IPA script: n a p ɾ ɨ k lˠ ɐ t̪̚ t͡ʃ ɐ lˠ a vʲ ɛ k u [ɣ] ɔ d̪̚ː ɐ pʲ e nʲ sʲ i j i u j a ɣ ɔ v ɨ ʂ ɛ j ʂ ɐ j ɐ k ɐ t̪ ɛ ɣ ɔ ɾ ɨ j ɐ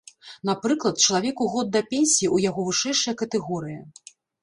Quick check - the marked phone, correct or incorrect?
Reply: correct